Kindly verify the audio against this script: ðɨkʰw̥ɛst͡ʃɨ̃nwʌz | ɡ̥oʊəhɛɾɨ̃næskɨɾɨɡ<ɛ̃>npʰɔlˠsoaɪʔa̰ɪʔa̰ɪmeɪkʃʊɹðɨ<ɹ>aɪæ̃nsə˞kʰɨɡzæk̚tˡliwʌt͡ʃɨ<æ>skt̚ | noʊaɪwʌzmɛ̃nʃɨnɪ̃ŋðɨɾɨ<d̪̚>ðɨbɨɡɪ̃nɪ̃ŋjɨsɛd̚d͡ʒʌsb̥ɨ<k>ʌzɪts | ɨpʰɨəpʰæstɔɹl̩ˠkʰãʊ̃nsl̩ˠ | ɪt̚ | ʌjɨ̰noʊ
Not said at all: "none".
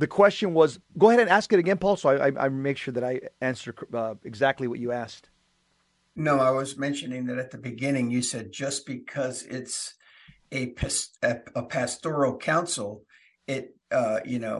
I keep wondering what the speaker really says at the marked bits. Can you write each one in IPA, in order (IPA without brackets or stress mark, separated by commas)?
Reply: ɛ̃, ɾ, æ, t̪̚, kʰ